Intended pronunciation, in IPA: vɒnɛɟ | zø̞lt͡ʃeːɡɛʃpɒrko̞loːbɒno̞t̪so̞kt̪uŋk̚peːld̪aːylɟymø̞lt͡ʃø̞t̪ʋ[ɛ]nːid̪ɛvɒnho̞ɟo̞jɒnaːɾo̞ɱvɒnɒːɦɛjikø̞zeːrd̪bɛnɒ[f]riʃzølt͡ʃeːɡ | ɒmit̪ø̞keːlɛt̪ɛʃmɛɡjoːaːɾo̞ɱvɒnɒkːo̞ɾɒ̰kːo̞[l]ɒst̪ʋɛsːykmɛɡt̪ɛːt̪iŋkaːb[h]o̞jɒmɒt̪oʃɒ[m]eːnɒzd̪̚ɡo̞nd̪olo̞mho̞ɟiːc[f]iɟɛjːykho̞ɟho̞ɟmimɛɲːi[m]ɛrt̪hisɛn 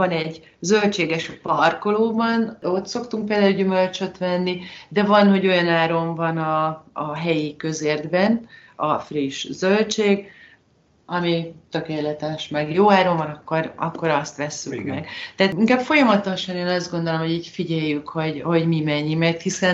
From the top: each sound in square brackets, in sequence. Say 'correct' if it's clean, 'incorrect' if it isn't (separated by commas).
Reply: correct, correct, incorrect, incorrect, incorrect, correct, correct